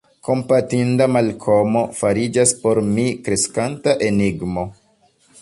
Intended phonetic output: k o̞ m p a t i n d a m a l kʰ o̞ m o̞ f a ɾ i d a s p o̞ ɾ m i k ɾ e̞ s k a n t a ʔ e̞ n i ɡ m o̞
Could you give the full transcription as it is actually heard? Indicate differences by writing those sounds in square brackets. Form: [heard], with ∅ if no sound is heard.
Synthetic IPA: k o̞ m p a t i n d a m a l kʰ o̞ m o̞ f a ɾ i [d͡ʒ] a s p o̞ ɾ m i k ɾ e̞ s k a n t a ʔ e̞ n i ɡ m o̞